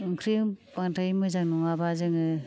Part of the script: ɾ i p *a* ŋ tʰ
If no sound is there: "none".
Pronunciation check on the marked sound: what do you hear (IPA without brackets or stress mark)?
a